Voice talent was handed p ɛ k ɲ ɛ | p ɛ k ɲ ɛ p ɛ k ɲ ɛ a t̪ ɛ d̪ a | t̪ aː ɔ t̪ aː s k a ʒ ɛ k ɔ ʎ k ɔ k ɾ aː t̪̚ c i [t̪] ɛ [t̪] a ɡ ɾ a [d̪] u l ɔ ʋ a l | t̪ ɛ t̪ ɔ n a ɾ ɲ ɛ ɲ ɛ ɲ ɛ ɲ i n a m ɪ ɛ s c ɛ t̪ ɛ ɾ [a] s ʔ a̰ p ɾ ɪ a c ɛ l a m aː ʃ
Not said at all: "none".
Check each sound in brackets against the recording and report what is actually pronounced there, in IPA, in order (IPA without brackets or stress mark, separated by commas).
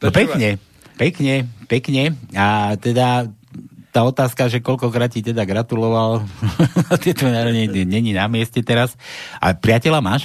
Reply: t̪, d̪, t̪, a